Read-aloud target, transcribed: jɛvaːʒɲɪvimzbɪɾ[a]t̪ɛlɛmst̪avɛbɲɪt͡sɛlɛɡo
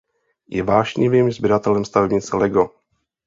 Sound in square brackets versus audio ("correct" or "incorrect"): correct